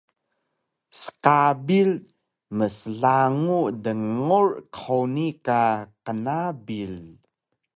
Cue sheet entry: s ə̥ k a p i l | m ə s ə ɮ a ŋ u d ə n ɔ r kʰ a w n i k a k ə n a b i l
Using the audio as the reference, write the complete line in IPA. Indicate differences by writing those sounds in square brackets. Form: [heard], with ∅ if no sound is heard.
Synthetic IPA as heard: s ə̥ k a [b] i l | m ə s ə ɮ a ŋ u d ə [ŋ] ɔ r kʰ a w n i k a k ə n a b i l